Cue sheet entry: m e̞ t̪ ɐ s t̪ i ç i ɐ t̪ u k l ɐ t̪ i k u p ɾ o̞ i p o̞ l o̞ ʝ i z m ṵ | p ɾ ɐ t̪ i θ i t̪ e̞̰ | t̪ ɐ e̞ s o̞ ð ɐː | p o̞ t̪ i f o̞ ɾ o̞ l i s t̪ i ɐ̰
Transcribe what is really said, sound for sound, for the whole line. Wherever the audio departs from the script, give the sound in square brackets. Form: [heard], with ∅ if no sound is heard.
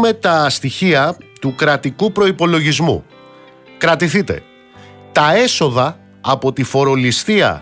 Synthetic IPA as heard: m e̞ t̪ ɐ s t̪ i ç i ɐ t̪ u k [ɾ] ɐ t̪ i k u p ɾ o̞ i p o̞ l o̞ ʝ i z m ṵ | [k] ɾ ɐ t̪ i θ i t̪ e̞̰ | t̪ ɐ e̞ s o̞ ð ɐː | p o̞ t̪ i f o̞ ɾ o̞ l i s t̪ i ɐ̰